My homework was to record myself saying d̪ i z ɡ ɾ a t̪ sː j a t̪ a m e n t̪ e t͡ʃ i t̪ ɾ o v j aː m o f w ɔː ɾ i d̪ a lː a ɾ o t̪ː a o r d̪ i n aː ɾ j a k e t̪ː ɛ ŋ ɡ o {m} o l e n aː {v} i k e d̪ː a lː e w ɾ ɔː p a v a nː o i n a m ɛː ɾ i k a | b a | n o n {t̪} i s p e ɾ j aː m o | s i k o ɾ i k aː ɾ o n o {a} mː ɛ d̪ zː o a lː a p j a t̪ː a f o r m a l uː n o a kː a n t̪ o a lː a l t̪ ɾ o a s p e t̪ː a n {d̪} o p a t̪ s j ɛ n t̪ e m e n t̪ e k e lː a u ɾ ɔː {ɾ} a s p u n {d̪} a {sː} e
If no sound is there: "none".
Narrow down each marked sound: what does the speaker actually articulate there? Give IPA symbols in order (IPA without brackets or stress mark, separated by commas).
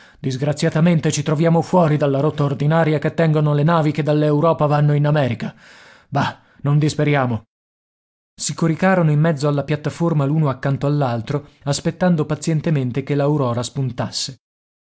n, v, d̪, i, d̪, ɾ, t̪, sː